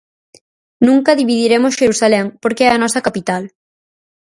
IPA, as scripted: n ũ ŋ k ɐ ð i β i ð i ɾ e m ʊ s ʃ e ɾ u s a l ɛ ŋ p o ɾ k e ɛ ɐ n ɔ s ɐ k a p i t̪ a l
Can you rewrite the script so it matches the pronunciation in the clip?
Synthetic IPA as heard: n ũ ŋ k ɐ ð i β i ð i ɾ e m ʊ s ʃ e ɾ u s a l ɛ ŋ p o ɾ k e ɛ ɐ n ɔ s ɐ k a p i t̪ a l